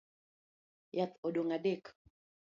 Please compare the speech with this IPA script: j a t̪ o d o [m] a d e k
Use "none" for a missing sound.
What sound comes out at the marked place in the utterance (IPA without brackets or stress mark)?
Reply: ŋ